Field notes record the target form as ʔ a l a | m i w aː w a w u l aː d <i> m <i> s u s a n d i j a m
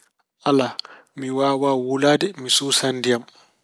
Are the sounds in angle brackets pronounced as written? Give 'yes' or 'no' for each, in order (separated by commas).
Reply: no, yes